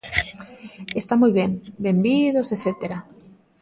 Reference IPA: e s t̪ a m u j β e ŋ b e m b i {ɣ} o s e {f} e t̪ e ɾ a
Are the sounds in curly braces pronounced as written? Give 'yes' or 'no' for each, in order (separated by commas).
no, no